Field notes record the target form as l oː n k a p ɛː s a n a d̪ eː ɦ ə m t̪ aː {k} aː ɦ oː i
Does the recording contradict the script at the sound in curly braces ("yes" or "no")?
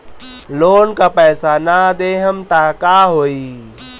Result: no